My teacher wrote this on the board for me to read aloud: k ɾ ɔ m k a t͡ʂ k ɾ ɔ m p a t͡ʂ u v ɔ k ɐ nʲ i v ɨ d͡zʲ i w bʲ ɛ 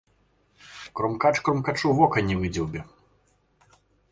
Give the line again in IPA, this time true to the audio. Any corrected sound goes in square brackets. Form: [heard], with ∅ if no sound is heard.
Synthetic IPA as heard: k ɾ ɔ m k a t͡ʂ k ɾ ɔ m [k] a t͡ʂ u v ɔ k ɐ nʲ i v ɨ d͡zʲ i w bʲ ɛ